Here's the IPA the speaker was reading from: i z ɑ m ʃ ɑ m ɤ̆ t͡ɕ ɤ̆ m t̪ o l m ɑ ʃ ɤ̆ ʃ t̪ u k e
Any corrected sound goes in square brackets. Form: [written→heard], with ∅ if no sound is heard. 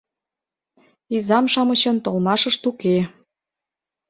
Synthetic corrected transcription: i z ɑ m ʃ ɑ m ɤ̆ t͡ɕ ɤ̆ [m→n] t̪ o l m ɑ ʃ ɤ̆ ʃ t̪ u k e